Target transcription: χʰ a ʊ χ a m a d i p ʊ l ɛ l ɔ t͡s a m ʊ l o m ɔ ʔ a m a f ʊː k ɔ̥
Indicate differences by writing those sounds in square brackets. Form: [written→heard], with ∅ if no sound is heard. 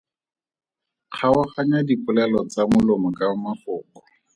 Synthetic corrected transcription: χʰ a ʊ χ a [m→ɲ] a d i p ʊ l ɛ l ɔ t͡s a m ʊ l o m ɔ [ʔ→k] a m a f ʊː k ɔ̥